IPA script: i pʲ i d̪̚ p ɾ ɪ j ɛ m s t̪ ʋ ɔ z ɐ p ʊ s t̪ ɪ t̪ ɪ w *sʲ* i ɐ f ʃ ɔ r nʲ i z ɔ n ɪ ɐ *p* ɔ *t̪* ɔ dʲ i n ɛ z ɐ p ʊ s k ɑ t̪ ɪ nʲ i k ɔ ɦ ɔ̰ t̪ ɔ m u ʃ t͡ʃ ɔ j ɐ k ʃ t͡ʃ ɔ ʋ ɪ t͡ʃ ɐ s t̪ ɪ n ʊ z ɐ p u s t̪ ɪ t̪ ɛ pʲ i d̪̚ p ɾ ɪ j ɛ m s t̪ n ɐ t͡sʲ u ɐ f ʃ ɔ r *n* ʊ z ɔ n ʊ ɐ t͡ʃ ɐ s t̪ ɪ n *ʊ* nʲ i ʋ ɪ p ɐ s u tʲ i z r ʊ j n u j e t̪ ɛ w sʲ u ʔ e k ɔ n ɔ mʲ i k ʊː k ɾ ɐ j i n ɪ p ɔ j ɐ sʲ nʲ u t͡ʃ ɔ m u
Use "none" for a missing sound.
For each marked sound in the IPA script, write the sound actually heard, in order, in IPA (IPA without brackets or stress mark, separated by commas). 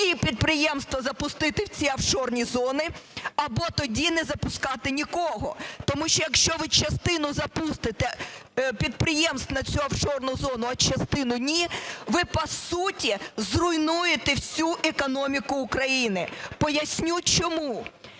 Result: t͡sʲ, b, t̪, n, ʊ